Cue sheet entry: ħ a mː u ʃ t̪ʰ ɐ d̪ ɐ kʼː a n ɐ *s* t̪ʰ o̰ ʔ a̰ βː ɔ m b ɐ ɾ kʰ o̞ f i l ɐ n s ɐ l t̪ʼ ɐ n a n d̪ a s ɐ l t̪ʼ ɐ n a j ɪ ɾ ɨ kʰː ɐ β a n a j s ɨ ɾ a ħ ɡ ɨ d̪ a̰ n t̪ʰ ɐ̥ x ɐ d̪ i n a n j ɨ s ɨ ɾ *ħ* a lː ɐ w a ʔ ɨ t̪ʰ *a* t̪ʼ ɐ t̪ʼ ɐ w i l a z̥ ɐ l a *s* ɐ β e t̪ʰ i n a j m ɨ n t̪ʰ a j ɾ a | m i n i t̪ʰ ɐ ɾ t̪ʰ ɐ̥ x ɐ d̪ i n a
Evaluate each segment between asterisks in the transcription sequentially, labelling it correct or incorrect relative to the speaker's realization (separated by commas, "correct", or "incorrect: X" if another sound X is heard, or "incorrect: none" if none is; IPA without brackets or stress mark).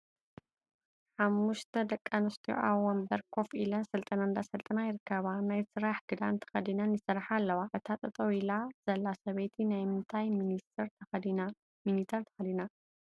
correct, correct, correct, correct